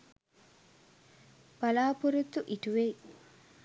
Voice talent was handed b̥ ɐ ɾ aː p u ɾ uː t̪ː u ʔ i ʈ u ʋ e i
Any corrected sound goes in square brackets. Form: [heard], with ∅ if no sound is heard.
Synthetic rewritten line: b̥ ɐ [l] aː p u ɾ [u] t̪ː u ʔ i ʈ u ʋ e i